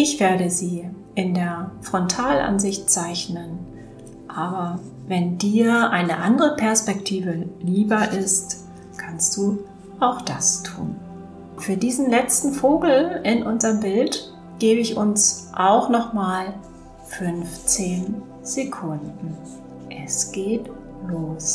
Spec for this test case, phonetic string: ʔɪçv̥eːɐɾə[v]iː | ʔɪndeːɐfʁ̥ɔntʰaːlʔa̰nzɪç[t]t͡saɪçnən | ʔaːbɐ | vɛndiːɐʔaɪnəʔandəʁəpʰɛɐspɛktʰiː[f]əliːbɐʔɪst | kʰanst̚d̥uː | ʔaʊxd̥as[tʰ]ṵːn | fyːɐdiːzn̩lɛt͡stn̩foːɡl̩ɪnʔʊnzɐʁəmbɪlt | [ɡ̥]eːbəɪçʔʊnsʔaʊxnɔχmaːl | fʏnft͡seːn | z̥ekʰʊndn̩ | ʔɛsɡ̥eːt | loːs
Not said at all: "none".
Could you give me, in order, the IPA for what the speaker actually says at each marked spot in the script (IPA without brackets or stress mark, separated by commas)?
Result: z, t, v, tʰ, ɡ̥